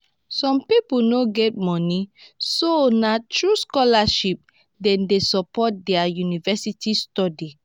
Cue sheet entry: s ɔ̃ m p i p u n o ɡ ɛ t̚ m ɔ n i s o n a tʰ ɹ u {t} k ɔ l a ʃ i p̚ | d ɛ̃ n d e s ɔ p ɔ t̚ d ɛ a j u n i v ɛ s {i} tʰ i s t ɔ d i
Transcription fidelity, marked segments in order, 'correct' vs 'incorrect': incorrect, correct

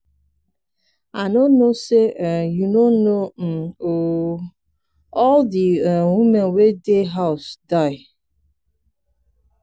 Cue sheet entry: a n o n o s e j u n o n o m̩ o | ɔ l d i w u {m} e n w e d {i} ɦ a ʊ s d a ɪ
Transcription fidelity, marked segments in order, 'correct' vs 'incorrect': correct, incorrect

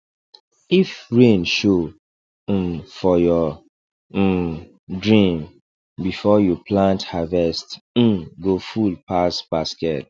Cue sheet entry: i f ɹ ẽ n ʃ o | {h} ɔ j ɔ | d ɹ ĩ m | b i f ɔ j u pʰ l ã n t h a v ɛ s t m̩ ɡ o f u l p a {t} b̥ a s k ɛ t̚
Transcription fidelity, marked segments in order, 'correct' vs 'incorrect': incorrect, incorrect

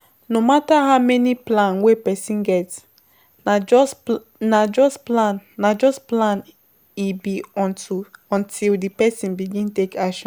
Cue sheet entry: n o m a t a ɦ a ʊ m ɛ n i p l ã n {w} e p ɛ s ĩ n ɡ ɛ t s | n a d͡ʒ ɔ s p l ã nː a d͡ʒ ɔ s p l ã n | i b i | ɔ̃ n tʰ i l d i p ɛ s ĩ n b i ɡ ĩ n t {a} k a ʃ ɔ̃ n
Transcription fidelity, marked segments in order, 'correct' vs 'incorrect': correct, incorrect

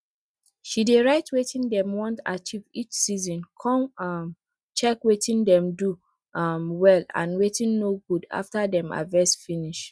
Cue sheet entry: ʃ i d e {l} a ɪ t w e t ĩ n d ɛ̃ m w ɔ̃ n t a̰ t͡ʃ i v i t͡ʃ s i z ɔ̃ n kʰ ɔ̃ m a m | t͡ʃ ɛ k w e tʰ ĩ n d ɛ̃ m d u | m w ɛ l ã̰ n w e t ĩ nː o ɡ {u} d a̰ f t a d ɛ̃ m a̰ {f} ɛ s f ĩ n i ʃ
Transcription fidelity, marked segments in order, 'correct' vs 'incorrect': incorrect, correct, incorrect

